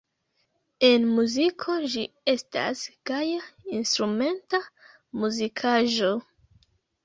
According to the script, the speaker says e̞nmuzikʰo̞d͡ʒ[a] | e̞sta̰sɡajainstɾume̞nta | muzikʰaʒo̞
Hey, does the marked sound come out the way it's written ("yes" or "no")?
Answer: no